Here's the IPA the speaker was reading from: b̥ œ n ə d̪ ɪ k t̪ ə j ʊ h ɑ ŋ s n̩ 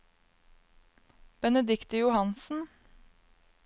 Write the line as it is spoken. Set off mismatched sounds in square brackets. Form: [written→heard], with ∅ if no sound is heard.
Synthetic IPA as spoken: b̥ [œ→ɛ] n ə d̪ ɪ k t̪ ə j ʊ h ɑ [ŋ→n] s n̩